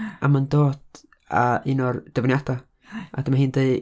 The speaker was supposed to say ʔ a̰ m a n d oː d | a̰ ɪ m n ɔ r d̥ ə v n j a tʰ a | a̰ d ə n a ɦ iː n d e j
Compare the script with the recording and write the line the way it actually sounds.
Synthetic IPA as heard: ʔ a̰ m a n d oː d | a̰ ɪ n ɔ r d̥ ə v n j a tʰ a | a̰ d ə m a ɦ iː n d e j